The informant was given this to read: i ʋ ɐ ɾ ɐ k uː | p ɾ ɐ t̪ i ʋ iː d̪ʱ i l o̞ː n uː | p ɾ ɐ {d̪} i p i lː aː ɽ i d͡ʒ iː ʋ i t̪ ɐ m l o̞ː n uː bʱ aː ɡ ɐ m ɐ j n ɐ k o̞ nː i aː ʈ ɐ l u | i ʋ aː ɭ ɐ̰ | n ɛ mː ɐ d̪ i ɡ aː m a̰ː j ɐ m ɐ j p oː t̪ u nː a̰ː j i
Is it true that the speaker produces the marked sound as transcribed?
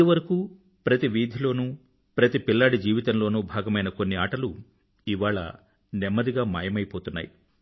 no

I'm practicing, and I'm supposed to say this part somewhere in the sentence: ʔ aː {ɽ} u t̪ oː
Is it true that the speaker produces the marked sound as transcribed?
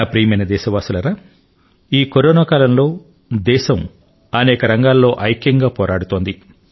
yes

